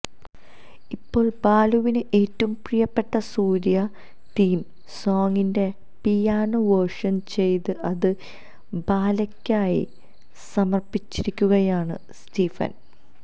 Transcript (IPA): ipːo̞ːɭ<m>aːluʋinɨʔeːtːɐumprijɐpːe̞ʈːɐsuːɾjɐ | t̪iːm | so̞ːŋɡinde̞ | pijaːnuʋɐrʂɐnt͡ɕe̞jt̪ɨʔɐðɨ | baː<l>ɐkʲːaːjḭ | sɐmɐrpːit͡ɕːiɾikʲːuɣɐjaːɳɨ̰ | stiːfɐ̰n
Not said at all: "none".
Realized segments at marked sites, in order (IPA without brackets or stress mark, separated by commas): b, l